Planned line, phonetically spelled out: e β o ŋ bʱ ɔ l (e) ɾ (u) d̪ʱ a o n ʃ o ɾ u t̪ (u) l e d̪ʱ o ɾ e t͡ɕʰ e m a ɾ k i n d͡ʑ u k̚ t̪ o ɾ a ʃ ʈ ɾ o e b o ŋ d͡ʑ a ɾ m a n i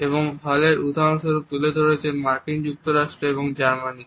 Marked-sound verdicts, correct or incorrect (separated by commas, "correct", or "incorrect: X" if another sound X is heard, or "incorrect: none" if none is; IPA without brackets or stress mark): correct, correct, correct